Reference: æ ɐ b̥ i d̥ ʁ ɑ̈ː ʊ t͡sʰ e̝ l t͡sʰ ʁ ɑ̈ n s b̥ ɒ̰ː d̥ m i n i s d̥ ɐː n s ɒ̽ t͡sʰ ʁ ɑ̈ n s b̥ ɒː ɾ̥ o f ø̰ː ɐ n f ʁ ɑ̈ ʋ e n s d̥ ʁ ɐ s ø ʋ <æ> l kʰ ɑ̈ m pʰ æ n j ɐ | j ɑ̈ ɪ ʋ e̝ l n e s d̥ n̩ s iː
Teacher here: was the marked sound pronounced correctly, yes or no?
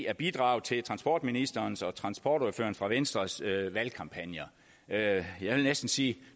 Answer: yes